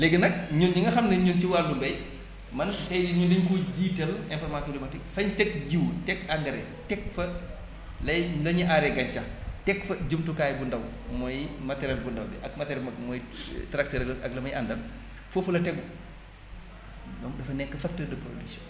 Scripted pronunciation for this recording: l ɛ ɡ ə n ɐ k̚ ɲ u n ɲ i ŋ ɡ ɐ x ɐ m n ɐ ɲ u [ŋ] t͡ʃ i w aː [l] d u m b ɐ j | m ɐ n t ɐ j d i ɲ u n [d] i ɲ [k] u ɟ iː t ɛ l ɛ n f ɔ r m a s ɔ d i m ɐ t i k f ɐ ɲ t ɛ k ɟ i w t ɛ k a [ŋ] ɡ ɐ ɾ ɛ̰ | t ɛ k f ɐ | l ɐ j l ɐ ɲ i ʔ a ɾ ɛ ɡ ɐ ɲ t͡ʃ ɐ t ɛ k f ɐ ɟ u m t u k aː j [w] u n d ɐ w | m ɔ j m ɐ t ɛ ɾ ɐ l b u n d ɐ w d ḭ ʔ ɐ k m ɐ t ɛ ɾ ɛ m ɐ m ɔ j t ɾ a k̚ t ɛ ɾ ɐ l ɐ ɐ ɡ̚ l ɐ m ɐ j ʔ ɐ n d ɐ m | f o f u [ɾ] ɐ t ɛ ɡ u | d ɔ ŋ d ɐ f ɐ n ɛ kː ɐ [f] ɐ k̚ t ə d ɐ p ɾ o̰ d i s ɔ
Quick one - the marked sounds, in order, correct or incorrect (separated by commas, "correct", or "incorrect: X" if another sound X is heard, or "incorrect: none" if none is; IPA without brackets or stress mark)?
incorrect: n, correct, correct, correct, correct, incorrect: b, incorrect: l, correct